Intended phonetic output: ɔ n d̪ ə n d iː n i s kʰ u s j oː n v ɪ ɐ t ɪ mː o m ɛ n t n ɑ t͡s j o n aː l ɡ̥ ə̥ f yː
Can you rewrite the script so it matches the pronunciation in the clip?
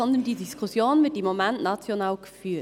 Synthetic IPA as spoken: ɔ n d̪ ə n d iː d i s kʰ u s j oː n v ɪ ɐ t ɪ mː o m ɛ n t n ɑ t͡s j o n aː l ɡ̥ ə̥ f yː